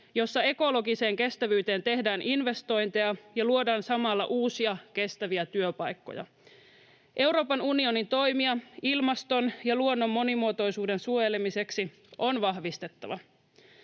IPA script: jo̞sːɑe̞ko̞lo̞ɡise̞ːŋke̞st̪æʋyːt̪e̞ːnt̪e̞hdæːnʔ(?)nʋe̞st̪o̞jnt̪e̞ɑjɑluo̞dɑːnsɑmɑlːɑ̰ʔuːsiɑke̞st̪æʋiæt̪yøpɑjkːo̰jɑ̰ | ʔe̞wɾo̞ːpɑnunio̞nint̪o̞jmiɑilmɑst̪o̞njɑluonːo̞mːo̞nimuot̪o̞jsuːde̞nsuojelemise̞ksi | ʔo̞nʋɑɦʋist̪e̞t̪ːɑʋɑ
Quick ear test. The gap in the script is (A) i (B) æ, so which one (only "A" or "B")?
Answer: A